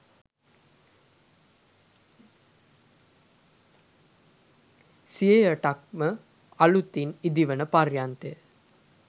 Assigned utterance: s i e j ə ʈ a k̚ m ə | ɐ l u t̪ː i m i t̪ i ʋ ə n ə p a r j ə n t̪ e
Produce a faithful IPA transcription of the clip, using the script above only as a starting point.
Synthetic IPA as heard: s i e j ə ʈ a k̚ m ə | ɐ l u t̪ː i n i d̪ i ʋ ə n ə p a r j a n t̪ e